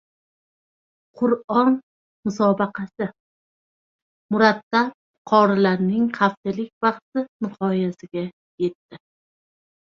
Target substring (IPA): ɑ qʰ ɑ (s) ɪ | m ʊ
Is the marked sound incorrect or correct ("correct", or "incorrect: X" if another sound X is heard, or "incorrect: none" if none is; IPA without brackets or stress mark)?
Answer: correct